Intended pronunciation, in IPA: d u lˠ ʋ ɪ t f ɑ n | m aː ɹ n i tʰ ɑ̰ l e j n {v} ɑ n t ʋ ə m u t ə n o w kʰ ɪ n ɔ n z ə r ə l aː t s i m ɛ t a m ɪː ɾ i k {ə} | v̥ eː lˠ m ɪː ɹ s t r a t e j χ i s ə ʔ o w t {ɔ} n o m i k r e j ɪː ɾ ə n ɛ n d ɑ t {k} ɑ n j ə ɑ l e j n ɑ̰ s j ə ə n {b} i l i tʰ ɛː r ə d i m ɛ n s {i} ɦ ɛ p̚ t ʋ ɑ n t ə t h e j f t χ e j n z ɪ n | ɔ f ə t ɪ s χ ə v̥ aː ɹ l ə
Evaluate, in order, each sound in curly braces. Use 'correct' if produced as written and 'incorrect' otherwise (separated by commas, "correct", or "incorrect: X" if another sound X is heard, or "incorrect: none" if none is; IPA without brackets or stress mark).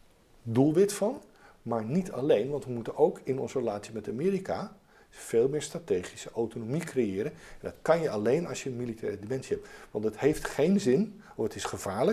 incorrect: ʋ, incorrect: a, incorrect: o, correct, incorrect: m, correct